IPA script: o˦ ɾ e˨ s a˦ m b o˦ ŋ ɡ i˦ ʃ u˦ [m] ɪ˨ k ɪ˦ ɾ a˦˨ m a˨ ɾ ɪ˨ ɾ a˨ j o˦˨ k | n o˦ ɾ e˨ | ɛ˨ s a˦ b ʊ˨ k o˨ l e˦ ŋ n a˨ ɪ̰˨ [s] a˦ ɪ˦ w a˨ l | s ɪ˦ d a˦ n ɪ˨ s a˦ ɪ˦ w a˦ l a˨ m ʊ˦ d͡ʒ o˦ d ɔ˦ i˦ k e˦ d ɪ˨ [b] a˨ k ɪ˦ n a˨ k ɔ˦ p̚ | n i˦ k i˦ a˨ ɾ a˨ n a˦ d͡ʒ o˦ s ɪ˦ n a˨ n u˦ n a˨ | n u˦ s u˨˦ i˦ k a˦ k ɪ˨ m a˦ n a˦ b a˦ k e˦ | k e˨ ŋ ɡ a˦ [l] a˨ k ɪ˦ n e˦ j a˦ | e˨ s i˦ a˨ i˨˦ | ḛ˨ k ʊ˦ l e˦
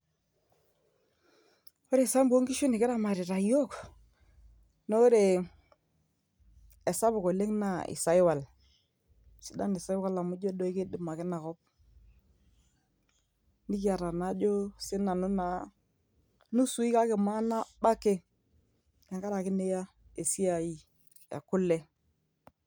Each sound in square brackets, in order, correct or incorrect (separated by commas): incorrect, correct, incorrect, incorrect